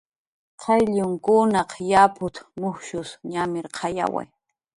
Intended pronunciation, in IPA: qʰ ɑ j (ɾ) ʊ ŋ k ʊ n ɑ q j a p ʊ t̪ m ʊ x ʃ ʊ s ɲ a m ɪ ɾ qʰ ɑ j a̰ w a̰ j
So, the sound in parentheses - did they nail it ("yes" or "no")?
no